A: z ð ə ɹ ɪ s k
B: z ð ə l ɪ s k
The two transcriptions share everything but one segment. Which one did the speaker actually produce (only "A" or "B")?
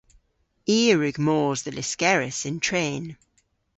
B